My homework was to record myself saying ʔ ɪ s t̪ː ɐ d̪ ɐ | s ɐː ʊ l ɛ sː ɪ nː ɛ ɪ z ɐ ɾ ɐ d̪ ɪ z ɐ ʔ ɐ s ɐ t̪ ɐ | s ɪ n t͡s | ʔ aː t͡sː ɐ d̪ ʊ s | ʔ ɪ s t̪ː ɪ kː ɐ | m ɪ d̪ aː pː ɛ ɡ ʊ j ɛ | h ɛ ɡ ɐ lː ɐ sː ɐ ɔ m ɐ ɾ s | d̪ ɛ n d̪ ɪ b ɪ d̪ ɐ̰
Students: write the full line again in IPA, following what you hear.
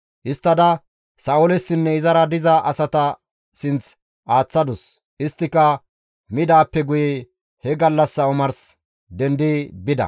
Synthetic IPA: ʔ ɪ s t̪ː ɐ d̪ ɐ | s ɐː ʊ l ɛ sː ɪ nː ɛ ɪ z ɐ ɾ ɐ d̪ ɪ z ɐ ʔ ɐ s ɐ t̪ ɐ | s ɪ n t͡s | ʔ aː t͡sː ɐ d̪ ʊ s | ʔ ɪ s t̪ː ɪ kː ɐ | m ɪ d̪ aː pː ɛ ɡ ʊ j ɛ | h ɛ ɡ ɐ lː ɐ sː ɐ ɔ m ɐ ɾ s | d̪ ɛ n d̪ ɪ b ɪ d̪ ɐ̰

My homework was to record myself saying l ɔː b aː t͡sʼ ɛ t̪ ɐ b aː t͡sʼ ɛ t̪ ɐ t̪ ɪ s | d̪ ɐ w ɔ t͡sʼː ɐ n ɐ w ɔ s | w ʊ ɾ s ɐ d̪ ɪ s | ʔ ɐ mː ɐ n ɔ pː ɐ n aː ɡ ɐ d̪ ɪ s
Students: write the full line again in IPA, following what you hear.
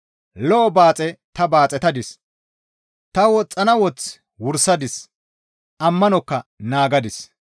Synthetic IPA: l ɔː b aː t͡sʼ ɛ t̪ ɐ b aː t͡sʼ ɛ t̪ ɐ d̪ ɪ s | t̪ ɐ w ɔ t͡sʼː ɐ n ɐ w ɔ t͡s | w ʊ ɾ s ɐ d̪ ɪ s | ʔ ɐ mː ɐ n ɔ kː ɐ n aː ɡ ɐ d̪ ɪ s

